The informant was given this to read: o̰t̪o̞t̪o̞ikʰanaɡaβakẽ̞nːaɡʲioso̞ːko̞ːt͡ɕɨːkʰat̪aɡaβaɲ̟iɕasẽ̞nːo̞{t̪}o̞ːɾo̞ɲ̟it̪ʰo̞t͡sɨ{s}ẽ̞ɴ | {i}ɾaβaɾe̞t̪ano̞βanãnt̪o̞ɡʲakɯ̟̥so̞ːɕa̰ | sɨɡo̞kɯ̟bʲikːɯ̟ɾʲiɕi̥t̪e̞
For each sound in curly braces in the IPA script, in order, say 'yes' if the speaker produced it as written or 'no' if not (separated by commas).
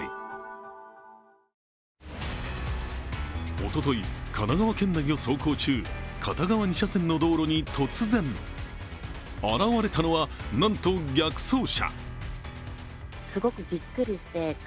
no, no, no